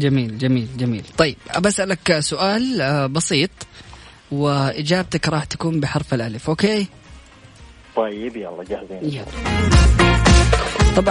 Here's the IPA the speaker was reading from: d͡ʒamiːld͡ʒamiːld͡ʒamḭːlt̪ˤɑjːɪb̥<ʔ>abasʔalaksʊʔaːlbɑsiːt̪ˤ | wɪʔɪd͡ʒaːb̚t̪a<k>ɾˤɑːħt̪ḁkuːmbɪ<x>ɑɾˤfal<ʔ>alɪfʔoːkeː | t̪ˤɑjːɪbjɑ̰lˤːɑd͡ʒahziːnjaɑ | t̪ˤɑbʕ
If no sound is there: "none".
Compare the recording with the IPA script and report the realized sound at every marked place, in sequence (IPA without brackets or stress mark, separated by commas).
ʔ, k, ħ, ʔ